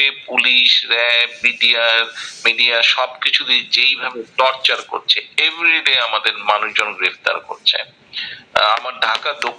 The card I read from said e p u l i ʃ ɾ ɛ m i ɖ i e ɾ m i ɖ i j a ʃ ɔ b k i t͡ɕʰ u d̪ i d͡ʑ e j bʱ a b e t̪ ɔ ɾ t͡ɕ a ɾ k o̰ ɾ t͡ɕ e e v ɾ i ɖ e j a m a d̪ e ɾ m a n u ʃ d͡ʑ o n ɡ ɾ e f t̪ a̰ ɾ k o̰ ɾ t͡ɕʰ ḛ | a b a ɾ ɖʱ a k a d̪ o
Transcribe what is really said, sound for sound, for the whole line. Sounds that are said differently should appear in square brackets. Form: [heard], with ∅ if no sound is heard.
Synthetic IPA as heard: e p u l i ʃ ɾ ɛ m i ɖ i [a] ɾ m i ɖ i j a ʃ ɔ b k i t͡ɕʰ u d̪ i d͡ʑ e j bʱ a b e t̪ ɔ ɾ t͡ɕ a ɾ k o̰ ɾ [t͡ɕʰ] e e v ɾ i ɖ e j a m a d̪ e ɾ m a n u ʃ d͡ʑ o n ɡ ɾ e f t̪ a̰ ɾ k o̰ ɾ t͡ɕʰ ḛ | a [m] a ɾ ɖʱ a k a d̪ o

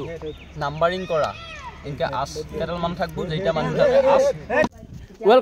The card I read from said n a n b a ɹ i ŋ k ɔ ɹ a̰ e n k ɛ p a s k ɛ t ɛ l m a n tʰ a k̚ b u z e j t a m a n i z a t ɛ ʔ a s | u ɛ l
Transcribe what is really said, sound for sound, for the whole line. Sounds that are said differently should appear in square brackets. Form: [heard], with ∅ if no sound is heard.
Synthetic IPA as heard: n a [m] b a ɹ i ŋ k ɔ ɹ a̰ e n k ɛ [ʔ] a s k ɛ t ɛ l m a n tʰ a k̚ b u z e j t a m a n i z a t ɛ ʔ a s | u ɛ l

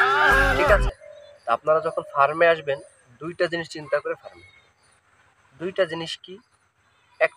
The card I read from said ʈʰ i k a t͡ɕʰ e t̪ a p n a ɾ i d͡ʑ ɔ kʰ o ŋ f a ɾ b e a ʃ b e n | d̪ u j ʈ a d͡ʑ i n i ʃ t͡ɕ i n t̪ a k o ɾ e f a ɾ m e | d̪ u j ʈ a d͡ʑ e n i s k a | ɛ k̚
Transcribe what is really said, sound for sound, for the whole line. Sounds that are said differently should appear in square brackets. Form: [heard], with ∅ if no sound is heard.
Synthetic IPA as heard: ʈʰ i k a t͡ɕʰ e t̪ a p n a ɾ [a] d͡ʑ ɔ kʰ o [n] f a ɾ [m] e a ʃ b e n | d̪ u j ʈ a d͡ʑ i n i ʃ t͡ɕ i n t̪ a k o ɾ e f a ɾ m e | d̪ u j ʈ a d͡ʑ [i] n i [ʃ] k [i] | ɛ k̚

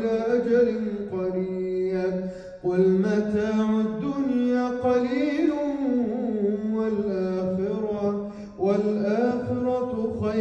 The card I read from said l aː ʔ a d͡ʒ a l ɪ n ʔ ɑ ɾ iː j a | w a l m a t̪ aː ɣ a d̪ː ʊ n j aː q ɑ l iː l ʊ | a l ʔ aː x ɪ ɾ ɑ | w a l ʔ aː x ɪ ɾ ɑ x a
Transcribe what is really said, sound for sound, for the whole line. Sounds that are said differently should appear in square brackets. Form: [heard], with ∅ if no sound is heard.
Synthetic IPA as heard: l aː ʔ a d͡ʒ a l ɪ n [q] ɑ ɾ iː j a | w a l m a t̪ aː [ʕ] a d̪ː ʊ n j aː q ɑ l iː l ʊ | a l ʔ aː x ɪ ɾ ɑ | w a l ʔ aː x ɪ ɾ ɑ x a

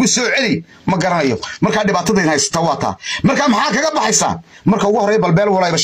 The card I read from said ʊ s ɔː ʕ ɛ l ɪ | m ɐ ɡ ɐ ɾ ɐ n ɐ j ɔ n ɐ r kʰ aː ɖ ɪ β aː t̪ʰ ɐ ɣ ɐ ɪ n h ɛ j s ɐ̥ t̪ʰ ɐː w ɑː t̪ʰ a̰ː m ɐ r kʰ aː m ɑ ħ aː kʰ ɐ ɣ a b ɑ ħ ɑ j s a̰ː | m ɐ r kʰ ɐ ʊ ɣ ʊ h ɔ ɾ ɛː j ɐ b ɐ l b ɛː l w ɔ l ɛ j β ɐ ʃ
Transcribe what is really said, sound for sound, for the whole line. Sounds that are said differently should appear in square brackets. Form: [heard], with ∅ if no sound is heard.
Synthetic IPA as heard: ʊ s ɔː ʕ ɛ l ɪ | m ɐ ɡ ɐ ɾ ɐ n ɐ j ɔ [m] ɐ r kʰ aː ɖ ɪ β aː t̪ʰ ɐ [ð] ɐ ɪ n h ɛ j s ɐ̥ t̪ʰ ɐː w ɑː t̪ʰ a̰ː m ɐ r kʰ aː m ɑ ħ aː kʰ ɐ ɣ [ɐ] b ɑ ħ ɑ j s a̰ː | m ɐ r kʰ ɐ ʊ ɣ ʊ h ɔ ɾ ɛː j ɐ b ɐ l b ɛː l w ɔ l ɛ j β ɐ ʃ

